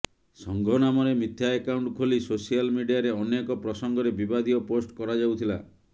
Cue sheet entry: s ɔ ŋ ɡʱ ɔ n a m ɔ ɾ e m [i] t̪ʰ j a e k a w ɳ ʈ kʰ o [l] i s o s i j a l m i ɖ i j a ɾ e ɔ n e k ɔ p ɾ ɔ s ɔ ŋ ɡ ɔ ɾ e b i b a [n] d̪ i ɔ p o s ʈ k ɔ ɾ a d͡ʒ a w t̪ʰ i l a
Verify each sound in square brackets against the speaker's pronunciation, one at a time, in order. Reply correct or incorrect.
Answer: correct, correct, incorrect: none

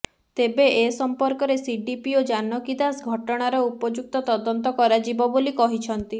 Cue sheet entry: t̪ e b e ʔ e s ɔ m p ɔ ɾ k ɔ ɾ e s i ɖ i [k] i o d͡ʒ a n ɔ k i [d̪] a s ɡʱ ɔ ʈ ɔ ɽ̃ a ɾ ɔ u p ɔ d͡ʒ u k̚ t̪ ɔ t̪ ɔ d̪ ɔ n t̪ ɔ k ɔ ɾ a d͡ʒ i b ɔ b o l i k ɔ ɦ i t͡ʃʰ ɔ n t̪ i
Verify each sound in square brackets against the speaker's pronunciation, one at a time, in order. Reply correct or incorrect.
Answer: incorrect: p, correct

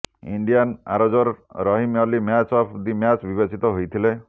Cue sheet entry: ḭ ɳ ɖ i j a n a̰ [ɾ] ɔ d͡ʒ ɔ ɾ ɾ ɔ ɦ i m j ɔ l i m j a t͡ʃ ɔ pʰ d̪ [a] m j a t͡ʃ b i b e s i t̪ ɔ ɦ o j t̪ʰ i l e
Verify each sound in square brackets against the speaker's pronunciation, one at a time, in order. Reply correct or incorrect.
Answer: correct, incorrect: i

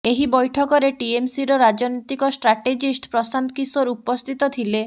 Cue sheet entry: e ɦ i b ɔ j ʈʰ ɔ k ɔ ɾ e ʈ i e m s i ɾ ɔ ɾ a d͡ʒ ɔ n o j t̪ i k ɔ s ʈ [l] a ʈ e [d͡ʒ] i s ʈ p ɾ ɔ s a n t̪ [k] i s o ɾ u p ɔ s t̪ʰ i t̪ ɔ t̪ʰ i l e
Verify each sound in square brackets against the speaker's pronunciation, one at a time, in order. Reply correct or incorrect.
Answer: incorrect: ɾ, correct, correct

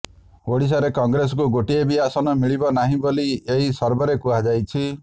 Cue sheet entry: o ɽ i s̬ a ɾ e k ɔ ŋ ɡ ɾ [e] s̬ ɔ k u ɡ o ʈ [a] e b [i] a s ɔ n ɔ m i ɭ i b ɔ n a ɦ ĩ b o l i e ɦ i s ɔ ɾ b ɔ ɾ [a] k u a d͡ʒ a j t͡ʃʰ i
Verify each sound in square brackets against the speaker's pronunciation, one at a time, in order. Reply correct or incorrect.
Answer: correct, incorrect: i, correct, incorrect: e

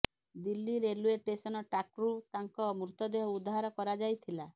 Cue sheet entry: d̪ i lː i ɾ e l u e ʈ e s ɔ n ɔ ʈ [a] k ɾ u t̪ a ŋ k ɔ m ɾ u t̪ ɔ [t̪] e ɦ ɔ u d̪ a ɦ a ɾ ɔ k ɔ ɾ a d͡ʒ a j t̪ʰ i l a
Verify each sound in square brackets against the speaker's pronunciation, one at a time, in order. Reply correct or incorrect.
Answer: correct, incorrect: d̪

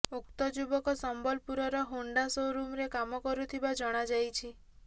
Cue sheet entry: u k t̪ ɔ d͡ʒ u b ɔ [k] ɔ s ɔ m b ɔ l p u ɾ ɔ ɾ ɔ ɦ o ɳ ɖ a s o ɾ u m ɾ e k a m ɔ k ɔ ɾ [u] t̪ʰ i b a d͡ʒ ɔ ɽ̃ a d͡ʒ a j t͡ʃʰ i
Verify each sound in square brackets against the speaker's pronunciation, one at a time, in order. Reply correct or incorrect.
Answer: correct, correct

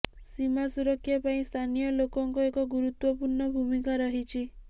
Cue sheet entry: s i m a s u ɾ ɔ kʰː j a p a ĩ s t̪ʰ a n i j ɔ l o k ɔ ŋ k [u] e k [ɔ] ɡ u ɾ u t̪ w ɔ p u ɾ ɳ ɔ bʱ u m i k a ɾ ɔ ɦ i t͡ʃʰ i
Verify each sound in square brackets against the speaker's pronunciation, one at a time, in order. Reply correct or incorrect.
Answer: incorrect: ɔ, correct

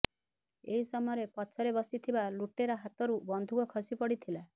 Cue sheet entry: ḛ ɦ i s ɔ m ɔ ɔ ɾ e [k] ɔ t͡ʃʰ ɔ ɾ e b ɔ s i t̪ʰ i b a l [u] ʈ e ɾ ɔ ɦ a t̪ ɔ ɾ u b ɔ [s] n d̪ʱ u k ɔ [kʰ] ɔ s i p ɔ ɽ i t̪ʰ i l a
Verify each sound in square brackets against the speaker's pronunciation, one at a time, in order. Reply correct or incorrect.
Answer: incorrect: p, correct, incorrect: none, correct

